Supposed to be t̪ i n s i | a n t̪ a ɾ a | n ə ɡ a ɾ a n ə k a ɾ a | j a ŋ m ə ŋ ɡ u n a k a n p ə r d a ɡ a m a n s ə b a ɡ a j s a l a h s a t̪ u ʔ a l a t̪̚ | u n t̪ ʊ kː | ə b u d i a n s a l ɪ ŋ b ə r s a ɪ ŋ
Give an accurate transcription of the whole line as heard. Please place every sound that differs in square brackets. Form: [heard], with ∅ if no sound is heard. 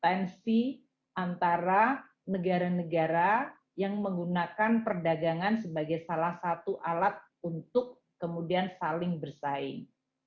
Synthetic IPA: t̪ [ɛ] n s i | a n t̪ a ɾ a | n ə ɡ a ɾ a n ə [ɡ] a ɾ a | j a ŋ m ə ŋ ɡ u n a k a n p ə r d a ɡ a [ŋ] a n s ə b a ɡ a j s a l a h s a t̪ u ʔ a l a t̪̚ | u n t̪ ʊ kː | ə [m] u d i a n s a l ɪ ŋ b ə r s a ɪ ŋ